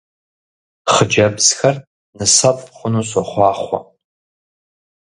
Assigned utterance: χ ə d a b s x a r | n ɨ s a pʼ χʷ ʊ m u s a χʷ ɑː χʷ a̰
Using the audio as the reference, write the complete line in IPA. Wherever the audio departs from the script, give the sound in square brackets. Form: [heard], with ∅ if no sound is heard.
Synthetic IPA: χ ə [d͡ʒ] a b [z] x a r | n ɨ s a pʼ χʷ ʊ [n] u s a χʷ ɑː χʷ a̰